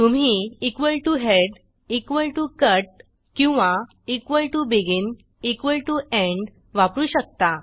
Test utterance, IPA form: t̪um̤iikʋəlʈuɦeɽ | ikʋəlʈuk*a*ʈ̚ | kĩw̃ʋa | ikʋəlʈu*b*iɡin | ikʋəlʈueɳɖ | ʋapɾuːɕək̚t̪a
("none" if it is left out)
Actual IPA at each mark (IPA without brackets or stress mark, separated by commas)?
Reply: ə, b